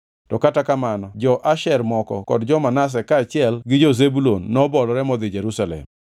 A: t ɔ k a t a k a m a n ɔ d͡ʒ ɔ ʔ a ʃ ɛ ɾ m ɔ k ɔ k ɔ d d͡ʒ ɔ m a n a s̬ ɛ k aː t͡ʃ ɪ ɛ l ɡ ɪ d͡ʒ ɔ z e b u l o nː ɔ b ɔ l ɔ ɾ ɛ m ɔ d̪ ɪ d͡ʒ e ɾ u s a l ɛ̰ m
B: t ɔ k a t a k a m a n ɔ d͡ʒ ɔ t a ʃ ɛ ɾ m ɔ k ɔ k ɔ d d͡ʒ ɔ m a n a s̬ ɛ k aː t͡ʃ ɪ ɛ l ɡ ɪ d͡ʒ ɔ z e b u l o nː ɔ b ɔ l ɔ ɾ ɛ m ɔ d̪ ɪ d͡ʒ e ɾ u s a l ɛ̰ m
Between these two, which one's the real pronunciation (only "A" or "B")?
A